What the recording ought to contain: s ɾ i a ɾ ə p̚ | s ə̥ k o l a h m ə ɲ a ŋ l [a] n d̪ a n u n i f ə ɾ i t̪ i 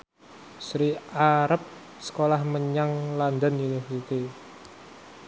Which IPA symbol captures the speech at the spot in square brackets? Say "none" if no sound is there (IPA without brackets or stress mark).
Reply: a